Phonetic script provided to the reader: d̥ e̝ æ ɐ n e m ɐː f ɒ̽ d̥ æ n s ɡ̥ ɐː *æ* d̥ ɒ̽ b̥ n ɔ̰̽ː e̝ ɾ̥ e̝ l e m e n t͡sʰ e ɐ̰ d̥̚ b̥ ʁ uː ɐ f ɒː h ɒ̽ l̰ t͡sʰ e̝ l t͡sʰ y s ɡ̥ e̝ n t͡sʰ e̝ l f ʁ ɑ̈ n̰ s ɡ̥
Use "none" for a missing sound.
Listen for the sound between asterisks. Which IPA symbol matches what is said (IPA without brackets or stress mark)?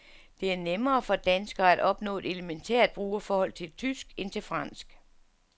æ